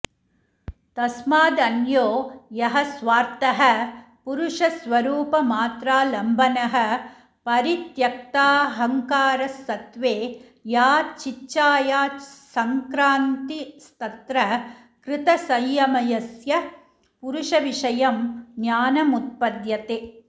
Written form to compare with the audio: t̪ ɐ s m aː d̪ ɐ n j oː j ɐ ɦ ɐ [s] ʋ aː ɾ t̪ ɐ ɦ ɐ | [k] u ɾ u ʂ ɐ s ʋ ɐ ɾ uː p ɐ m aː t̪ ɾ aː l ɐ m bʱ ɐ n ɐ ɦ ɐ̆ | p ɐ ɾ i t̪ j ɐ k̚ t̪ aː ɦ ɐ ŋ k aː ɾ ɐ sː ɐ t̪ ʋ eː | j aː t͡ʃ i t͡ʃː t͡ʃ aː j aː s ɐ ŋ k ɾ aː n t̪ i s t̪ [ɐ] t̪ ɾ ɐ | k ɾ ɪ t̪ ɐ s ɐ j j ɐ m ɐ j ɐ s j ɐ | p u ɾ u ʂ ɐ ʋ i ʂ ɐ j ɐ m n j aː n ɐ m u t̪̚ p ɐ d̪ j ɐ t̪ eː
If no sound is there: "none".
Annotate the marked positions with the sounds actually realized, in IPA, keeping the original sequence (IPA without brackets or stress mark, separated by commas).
s, p, ɐ